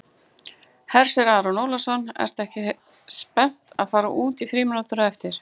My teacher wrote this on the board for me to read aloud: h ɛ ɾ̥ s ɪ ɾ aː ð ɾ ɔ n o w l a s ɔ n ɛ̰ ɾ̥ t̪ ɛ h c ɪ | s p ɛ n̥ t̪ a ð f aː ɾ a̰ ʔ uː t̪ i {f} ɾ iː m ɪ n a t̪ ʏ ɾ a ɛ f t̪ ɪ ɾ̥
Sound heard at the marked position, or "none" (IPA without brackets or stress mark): f